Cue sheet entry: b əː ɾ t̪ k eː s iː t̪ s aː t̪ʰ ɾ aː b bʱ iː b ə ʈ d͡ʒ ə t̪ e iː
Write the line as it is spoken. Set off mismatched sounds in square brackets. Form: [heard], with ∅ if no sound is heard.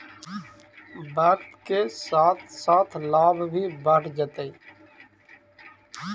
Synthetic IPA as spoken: b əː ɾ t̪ k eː s [aː] t̪ s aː t̪ʰ [l] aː b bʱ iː b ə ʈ d͡ʒ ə t̪ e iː